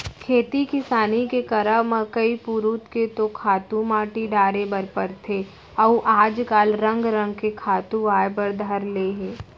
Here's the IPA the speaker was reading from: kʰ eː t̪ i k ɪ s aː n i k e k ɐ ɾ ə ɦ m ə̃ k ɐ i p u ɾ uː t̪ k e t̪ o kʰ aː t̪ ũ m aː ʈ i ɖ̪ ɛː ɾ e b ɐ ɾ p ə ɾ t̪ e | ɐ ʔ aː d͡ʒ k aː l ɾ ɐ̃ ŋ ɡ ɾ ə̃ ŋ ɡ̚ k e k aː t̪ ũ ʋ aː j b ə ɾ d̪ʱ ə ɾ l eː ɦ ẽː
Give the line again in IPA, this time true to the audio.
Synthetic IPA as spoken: kʰ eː t̪ i k ɪ s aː n i k e k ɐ ɾ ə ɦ m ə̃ k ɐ i p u ɾ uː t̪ k e t̪ o kʰ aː t̪ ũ m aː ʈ i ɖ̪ aː ɾ e b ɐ ɾ p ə ɾ t̪ʰ e | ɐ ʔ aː d͡ʒ k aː l ɾ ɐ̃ ŋ ɡ ɾ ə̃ ŋ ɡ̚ k e kʰ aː t̪ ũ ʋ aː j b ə ɾ d̪ʱ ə ɾ l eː ɦ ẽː